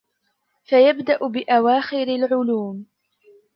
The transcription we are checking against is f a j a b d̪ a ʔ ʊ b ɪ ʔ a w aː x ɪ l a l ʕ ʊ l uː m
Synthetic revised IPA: f a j a b d̪ a ʔ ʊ b ɪ ʔ a w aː x ɪ ɾ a l ʕ ʊ l uː m